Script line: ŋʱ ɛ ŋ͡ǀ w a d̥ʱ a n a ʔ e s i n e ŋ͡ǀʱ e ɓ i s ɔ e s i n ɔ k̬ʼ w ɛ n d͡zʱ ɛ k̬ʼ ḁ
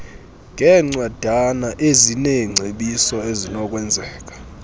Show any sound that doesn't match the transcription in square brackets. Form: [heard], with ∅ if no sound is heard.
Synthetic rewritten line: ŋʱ ɛ ŋ͡ǀ w a d̥ʱ a n a ʔ e [z] i n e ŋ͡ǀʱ e ɓ i s ɔ e [z] i n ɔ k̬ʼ w ɛ n d͡zʱ [ɛː] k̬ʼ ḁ